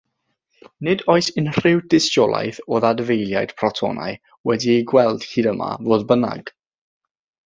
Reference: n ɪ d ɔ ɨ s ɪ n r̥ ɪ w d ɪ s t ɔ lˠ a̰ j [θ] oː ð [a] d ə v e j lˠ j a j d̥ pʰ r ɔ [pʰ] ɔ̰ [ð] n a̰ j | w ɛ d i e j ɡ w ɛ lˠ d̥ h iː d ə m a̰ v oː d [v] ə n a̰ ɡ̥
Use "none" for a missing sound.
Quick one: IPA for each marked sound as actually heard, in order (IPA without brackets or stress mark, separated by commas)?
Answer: θ, a, tʰ, none, b